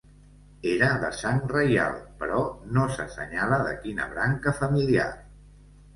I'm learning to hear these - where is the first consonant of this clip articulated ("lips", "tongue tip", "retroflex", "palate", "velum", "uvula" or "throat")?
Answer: tongue tip